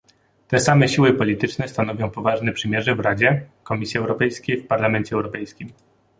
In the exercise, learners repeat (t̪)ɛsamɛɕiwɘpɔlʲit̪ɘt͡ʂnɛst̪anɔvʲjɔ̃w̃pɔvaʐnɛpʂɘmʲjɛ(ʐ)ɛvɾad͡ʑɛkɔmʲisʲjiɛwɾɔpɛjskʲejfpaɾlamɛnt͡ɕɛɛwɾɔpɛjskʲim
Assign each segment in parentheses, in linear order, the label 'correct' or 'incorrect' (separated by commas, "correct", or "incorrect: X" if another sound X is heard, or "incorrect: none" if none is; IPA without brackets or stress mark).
correct, correct